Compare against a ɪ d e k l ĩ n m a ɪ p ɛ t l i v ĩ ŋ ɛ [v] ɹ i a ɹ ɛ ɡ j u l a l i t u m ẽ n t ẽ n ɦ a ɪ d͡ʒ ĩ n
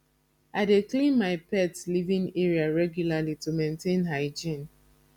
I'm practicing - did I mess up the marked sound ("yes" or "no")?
yes